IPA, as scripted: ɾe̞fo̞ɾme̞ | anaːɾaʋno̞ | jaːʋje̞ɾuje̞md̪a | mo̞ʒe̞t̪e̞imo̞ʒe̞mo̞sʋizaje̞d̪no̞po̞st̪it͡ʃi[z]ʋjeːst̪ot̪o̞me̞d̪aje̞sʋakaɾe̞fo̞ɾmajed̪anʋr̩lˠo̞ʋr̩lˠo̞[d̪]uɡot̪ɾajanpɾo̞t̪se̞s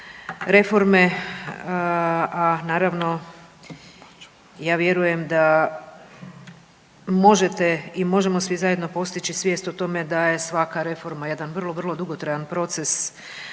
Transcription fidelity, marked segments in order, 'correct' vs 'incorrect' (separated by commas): incorrect, correct